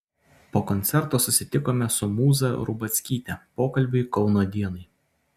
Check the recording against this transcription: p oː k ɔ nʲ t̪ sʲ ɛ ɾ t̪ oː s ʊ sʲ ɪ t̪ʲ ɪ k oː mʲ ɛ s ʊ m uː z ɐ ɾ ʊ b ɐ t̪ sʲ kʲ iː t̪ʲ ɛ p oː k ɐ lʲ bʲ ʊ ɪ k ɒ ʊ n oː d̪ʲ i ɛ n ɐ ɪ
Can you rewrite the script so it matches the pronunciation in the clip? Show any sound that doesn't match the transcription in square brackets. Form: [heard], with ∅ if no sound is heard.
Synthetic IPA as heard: p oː k ɔ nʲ t̪ sʲ ɛ ɾ t̪ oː s ʊ sʲ ɪ t̪ʲ ɪ k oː mʲ ɛ s ʊ m uː z ɐ ɾ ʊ b ɐ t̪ sʲ kʲ iː t̪ʲ ɛ p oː k ɐ lʲ bʲ ʊ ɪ k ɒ ʊ n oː d̪ʲ i ɛ n ɐ ɪ